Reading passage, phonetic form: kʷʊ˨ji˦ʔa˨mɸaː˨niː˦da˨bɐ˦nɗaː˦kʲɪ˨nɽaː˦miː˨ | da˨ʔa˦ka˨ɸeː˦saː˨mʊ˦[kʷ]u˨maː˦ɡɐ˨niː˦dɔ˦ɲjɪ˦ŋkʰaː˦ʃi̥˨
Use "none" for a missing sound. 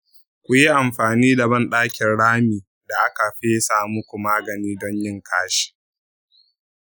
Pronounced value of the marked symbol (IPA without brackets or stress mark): kʷ